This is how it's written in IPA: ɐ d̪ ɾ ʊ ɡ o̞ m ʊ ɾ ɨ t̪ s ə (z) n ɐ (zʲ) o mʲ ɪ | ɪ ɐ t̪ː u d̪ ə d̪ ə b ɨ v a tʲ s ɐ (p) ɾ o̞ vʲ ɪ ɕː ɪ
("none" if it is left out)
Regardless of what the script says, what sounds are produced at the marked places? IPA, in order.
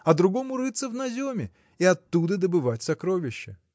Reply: v, zʲ, k

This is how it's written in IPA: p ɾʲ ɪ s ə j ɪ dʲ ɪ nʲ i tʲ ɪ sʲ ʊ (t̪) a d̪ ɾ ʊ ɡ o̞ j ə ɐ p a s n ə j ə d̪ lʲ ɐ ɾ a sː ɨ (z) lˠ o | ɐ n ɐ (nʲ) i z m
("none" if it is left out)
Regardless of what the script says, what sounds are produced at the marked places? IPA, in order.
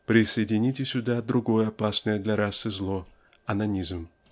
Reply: d̪, z, nʲ

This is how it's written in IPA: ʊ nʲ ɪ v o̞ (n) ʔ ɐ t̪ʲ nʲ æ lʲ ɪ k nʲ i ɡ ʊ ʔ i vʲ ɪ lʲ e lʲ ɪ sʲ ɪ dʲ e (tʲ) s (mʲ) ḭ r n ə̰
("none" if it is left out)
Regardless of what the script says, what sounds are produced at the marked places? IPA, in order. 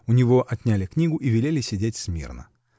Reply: none, tʲ, mʲ

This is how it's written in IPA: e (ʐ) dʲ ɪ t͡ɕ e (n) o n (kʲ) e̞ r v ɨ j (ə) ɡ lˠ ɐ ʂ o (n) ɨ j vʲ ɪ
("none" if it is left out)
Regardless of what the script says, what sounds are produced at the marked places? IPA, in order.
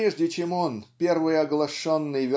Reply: ʐ, m, pʲ, ɐ, nː

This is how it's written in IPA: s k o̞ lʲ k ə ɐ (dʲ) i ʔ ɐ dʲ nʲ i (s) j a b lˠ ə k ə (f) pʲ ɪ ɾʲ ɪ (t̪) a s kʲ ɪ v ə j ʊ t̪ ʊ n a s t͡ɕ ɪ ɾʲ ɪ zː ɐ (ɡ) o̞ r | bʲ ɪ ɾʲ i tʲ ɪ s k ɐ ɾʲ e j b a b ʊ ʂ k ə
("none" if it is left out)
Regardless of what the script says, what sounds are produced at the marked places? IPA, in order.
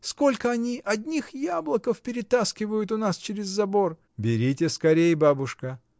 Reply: nʲ, x, f, t̪, b

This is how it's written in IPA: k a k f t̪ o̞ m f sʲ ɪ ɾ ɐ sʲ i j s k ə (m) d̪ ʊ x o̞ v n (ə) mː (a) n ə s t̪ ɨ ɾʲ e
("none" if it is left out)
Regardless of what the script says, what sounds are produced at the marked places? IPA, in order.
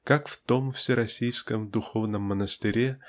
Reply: m, ə, ə

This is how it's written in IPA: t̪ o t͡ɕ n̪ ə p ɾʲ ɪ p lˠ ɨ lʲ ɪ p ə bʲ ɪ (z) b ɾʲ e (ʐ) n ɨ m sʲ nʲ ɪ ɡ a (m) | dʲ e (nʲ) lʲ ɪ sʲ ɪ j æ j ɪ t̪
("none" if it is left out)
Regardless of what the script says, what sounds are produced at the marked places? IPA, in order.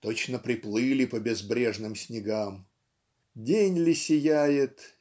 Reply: z, ʐ, m, nʲ

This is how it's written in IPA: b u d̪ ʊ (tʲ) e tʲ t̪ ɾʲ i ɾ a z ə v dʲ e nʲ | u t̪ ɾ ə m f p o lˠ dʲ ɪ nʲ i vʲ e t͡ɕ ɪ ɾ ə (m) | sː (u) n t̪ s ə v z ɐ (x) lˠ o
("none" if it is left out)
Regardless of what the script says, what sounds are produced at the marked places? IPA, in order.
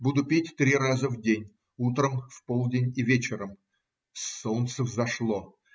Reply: pʲ, m, o, ʂ

